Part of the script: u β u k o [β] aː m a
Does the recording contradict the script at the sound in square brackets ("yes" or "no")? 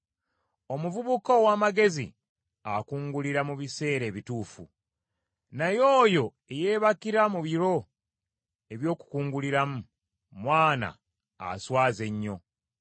yes